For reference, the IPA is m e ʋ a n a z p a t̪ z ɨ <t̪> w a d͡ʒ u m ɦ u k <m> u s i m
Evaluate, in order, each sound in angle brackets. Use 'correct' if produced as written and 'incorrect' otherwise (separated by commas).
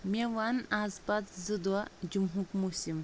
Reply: incorrect, correct